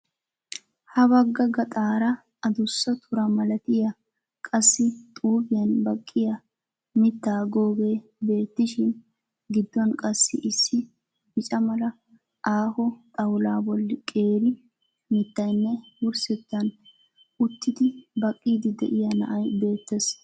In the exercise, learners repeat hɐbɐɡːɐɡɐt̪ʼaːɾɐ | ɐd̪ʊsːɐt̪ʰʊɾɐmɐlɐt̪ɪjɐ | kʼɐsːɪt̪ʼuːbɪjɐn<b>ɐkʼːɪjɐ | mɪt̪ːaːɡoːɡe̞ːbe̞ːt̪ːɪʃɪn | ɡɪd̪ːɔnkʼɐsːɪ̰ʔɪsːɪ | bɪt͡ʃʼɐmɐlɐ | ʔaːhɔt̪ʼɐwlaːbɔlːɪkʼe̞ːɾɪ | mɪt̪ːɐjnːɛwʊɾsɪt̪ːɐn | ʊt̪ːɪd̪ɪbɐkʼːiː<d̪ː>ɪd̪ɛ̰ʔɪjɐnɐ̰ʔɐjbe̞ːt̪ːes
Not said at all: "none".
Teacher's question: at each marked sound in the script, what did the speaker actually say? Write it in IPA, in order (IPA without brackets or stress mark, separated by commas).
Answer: b, d̪